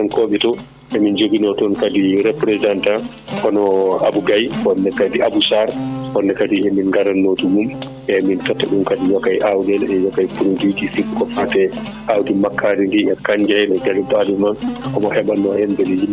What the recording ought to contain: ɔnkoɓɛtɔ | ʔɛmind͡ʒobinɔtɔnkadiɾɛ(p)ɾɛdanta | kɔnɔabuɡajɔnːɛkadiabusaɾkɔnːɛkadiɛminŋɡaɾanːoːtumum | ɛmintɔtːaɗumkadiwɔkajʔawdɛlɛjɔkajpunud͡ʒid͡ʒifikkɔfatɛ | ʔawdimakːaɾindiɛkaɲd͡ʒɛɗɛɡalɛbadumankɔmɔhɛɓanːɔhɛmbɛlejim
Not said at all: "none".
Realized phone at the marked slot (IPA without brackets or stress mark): p